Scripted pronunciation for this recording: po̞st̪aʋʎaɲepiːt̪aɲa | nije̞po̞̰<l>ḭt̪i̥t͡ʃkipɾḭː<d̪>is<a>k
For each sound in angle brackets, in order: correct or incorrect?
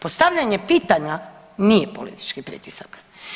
correct, incorrect: t̪, correct

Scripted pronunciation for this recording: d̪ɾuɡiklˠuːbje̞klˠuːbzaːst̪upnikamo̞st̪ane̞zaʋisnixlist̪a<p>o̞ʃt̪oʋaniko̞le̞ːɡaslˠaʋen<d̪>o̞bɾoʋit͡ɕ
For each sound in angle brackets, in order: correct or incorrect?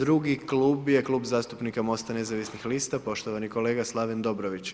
correct, correct

